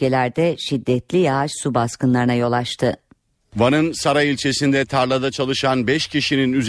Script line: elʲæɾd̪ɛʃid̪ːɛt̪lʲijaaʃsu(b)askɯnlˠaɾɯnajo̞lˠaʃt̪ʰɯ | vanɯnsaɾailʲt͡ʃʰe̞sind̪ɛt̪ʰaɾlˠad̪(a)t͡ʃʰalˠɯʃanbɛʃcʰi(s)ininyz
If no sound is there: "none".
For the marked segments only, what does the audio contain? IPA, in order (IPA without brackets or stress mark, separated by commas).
b, a, ʃ